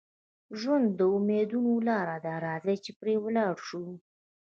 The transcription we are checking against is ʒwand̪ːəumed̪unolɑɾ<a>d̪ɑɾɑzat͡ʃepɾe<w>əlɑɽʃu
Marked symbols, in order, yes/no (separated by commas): yes, yes